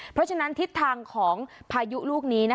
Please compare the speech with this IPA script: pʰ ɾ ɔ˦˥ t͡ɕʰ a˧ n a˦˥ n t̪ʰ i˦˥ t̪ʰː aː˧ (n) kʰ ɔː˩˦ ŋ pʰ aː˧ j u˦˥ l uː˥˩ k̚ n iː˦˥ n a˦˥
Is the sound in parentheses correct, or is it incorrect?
incorrect